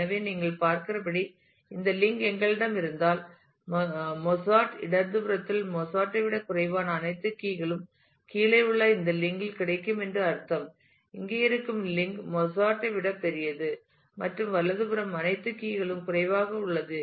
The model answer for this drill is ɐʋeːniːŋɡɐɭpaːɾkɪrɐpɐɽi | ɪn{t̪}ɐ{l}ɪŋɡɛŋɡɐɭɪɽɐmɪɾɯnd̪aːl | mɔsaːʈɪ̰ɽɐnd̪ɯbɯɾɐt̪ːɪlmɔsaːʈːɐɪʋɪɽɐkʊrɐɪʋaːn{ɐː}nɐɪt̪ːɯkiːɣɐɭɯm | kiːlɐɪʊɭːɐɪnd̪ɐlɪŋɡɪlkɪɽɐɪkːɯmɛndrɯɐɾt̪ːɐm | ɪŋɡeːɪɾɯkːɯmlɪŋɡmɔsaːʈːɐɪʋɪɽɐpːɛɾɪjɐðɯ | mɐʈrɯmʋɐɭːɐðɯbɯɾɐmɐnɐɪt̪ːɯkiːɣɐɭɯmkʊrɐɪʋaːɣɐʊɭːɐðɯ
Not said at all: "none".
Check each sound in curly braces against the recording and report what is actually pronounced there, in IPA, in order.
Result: d̪, l, ɐː

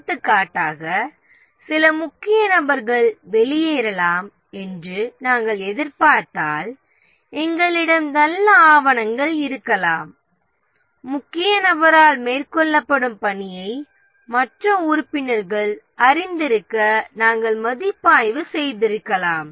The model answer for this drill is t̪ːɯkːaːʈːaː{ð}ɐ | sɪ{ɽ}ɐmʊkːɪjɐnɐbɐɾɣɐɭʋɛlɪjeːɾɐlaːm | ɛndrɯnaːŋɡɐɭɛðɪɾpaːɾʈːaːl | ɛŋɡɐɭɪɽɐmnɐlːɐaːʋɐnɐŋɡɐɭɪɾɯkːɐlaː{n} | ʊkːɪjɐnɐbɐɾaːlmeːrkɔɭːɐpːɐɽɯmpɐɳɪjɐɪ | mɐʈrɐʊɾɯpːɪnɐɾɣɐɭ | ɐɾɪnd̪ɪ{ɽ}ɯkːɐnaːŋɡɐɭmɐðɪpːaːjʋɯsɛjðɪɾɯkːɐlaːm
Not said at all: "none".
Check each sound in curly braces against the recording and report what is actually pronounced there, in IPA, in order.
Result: ɣ, l, m, ɾ

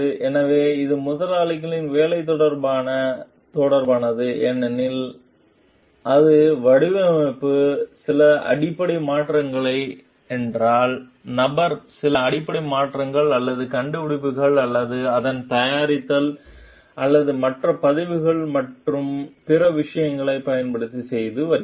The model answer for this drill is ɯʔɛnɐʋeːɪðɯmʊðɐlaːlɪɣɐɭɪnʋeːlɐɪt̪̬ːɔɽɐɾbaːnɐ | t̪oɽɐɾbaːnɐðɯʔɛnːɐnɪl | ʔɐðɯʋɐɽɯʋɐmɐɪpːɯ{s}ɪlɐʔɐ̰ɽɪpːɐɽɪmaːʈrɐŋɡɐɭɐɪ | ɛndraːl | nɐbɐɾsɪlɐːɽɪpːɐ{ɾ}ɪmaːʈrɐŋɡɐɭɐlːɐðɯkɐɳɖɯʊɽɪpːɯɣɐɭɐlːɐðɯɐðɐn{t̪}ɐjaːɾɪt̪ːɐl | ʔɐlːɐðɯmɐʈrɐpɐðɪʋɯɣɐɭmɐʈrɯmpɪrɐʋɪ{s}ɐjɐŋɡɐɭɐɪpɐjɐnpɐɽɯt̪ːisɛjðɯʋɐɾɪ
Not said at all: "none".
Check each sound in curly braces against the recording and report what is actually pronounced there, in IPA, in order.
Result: s, ɽ, t̪, ʂ

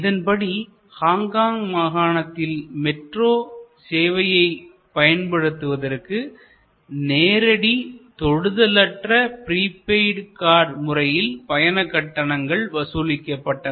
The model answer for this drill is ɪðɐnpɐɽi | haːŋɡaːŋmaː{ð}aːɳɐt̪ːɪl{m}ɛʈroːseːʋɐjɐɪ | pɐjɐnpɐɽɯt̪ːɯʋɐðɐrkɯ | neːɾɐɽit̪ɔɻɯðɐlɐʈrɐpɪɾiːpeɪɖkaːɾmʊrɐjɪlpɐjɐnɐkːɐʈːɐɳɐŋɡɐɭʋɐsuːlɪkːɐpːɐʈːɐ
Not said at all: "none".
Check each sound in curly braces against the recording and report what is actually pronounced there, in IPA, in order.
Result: ɣ, m

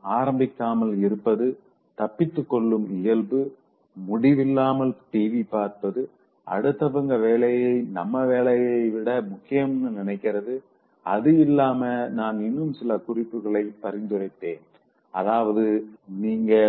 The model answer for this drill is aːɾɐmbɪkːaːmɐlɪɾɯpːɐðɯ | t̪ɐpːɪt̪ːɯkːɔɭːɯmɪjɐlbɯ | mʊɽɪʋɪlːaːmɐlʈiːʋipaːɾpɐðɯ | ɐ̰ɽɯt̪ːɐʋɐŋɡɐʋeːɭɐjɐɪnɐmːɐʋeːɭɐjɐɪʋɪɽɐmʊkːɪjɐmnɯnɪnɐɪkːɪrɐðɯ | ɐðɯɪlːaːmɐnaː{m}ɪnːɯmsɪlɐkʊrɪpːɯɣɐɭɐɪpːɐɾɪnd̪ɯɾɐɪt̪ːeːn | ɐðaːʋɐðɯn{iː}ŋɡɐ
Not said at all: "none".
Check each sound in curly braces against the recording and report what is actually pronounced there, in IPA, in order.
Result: n, iː

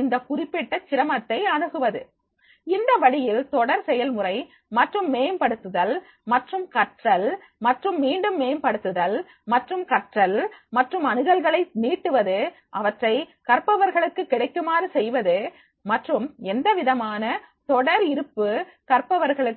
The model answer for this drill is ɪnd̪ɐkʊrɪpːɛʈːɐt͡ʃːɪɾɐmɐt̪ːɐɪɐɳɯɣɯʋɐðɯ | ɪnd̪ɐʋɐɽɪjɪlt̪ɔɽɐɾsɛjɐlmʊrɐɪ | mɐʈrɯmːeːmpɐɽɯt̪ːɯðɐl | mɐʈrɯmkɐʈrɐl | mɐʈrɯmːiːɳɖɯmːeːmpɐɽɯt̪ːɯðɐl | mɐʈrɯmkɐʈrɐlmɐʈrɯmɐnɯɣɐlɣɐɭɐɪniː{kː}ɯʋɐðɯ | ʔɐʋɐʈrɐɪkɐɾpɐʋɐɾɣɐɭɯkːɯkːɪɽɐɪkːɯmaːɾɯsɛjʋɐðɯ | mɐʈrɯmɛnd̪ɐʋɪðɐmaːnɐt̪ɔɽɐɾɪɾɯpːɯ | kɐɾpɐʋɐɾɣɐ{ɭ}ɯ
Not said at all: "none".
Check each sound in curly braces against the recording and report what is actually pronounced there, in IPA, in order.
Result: ʈː, ɭ

